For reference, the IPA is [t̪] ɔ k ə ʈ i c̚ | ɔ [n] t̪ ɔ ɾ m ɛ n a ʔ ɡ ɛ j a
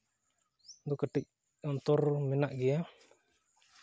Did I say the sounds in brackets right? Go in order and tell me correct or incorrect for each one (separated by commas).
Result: incorrect, correct